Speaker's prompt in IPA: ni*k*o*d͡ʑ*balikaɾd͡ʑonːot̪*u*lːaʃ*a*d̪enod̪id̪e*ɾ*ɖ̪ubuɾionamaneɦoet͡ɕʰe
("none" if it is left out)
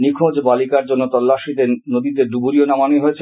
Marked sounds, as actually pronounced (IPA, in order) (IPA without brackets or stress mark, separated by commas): kʰ, d͡ʑ, ɔ, i, ɾ